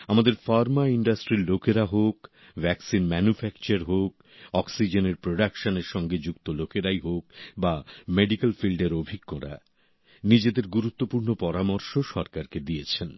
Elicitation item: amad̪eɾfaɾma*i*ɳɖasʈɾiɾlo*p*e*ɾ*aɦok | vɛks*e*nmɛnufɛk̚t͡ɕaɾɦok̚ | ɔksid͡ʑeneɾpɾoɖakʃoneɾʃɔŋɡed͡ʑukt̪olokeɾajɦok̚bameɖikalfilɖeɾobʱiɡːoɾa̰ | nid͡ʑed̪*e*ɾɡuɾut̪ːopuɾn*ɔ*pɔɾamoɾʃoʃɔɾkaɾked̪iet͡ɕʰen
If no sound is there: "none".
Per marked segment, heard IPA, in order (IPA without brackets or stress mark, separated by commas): i, k, ɾ, i, e, o